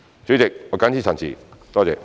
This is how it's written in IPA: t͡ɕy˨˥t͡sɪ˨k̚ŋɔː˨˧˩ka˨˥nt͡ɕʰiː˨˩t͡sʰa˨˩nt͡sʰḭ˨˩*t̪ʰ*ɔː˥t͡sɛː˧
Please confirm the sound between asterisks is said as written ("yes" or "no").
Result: no